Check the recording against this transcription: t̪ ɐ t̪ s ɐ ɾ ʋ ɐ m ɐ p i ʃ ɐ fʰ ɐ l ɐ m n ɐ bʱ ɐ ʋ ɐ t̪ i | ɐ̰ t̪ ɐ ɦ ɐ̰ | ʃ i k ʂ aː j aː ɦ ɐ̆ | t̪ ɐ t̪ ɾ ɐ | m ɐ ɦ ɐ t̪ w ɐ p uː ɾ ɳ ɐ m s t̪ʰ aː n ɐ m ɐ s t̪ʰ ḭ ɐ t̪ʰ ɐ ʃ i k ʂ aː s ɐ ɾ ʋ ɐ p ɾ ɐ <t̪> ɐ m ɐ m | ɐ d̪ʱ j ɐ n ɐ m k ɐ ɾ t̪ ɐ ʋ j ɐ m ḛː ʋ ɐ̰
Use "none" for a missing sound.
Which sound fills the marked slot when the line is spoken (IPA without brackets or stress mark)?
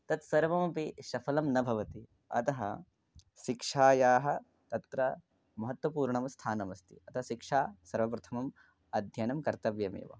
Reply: t̪ʰ